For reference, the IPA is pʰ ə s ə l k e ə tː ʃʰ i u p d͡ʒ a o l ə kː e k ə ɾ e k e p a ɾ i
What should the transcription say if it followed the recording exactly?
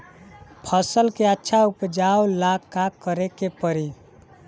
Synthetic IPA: pʰ ə s ə l k e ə tː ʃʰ a u p d͡ʒ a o l a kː a k ə ɾ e k e p ə ɾ i